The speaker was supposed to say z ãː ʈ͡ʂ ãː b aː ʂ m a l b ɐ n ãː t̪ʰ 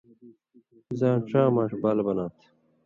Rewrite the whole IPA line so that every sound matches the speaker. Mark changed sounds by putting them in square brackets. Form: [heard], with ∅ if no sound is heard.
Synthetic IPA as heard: z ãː ʈ͡ʂ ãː [m] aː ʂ [b] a l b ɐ n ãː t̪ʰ